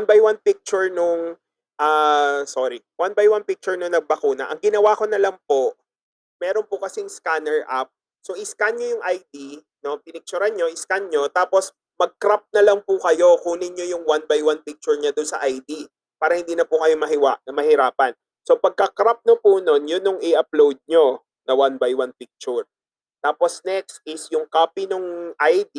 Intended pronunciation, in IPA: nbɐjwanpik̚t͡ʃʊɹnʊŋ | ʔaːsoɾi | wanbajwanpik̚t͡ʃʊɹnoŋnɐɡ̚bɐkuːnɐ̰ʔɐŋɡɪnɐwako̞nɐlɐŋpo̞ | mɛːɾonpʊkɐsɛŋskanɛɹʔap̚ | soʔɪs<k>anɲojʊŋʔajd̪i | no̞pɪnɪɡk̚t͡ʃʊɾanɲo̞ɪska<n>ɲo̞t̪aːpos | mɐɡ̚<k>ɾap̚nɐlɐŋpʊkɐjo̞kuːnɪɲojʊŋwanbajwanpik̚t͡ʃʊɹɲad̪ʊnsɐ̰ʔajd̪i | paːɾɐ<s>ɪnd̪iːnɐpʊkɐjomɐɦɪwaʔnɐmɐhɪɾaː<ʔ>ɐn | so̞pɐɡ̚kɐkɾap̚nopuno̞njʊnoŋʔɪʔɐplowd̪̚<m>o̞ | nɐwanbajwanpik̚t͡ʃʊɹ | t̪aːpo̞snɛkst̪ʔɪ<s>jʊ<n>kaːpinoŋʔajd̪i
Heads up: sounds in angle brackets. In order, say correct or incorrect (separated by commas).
correct, correct, correct, incorrect, incorrect, incorrect, correct, incorrect